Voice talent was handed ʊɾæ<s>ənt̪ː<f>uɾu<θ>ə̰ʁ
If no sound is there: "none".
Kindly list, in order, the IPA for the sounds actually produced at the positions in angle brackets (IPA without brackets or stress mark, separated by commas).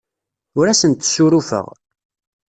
s, s, f